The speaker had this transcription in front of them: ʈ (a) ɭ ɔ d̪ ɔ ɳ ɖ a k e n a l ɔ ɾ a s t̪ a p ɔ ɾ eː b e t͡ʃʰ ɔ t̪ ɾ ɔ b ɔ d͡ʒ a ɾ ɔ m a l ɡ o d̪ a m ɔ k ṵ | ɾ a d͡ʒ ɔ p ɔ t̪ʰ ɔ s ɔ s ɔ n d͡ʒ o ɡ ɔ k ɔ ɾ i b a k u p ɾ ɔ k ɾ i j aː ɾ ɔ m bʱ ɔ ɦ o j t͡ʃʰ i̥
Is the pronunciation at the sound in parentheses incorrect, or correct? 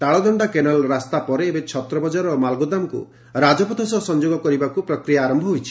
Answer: correct